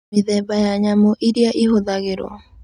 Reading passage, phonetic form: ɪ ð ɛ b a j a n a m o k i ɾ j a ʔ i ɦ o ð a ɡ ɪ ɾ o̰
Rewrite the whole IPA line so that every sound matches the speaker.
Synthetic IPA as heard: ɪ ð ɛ b a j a ɲ a m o ʔ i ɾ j a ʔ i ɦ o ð a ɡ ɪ ɾ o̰